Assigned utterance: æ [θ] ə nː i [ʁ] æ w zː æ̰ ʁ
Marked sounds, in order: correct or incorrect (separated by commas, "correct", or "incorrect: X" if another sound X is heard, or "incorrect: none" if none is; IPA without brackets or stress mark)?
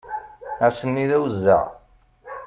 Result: incorrect: s, incorrect: ð